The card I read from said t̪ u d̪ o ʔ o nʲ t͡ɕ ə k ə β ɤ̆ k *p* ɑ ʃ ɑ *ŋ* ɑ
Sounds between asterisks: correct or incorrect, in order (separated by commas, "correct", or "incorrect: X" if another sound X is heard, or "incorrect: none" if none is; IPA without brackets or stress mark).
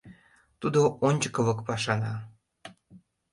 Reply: correct, incorrect: n